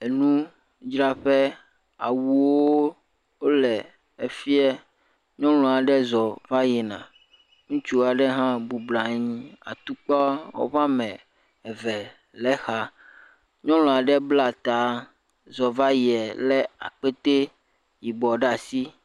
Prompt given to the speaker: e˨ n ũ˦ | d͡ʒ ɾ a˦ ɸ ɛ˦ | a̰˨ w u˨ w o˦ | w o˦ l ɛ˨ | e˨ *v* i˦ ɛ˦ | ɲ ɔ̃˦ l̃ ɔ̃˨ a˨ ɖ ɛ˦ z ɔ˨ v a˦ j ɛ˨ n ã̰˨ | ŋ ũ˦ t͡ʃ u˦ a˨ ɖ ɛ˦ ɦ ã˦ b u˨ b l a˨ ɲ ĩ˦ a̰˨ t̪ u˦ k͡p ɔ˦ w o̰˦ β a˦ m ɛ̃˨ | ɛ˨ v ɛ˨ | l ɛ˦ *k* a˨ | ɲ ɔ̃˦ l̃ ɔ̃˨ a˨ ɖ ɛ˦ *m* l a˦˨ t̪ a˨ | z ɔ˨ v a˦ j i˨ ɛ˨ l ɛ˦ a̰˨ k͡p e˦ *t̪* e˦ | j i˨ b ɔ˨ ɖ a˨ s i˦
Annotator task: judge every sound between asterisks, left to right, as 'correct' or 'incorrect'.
incorrect: f, incorrect: x, incorrect: b, correct

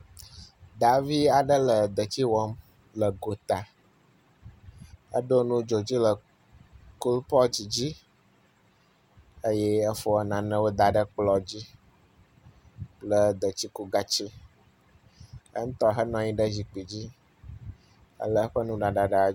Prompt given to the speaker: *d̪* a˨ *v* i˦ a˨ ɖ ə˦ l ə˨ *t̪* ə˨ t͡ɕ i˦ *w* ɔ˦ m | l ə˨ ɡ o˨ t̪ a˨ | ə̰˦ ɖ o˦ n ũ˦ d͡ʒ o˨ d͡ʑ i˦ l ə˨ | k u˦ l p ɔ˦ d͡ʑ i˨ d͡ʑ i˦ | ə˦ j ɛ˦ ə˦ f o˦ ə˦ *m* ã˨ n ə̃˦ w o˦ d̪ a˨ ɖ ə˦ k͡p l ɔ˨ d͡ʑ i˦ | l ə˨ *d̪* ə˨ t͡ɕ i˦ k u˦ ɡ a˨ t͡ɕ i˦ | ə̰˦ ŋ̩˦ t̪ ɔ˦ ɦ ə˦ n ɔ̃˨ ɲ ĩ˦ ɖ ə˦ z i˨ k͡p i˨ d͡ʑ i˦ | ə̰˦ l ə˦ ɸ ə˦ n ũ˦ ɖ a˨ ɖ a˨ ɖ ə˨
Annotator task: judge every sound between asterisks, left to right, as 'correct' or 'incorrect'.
correct, correct, incorrect: d̪, correct, incorrect: n, correct

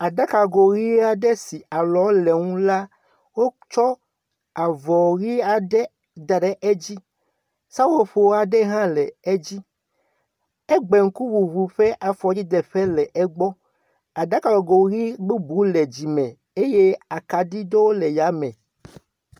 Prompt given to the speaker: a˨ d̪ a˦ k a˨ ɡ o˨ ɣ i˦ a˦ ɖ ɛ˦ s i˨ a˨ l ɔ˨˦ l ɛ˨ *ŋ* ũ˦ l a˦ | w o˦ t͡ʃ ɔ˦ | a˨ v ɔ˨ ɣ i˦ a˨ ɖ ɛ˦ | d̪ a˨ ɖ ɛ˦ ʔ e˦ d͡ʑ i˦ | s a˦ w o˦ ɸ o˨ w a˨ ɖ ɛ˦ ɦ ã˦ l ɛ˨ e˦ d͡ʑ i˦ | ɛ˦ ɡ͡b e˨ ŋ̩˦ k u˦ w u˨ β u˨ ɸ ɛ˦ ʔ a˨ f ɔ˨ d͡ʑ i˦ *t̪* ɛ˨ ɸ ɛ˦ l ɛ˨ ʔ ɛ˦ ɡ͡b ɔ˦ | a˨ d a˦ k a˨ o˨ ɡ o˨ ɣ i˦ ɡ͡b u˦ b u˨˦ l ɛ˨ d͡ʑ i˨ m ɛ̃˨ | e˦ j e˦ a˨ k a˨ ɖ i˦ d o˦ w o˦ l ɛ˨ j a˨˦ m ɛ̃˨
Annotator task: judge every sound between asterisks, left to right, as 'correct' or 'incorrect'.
correct, incorrect: d̪

